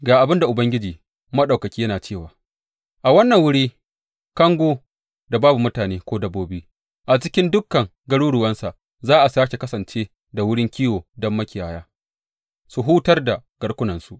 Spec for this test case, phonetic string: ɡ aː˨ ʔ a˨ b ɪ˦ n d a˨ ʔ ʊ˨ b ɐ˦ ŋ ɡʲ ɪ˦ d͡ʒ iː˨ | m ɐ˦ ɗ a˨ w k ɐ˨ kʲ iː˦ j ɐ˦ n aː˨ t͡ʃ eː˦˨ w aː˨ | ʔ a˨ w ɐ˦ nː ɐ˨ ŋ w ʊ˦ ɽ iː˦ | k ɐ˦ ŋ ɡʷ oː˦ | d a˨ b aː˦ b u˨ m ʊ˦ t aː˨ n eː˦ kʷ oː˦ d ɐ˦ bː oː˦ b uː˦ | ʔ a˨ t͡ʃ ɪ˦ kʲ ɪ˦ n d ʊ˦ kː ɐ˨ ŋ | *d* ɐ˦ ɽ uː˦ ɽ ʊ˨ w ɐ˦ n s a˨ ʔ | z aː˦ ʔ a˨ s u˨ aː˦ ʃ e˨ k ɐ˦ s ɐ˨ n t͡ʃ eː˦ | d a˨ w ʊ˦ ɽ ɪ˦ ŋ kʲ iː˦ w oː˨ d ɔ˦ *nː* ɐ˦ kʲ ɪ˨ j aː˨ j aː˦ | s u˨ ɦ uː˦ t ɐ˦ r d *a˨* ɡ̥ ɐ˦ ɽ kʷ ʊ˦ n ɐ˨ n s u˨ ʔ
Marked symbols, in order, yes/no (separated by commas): no, no, yes